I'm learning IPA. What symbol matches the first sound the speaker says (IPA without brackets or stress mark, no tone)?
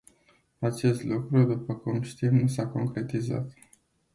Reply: a